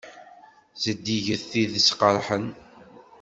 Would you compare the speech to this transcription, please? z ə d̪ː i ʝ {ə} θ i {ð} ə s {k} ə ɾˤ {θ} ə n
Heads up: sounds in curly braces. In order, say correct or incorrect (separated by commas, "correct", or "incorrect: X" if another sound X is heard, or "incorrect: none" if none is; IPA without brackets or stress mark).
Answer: correct, correct, incorrect: q, incorrect: ħ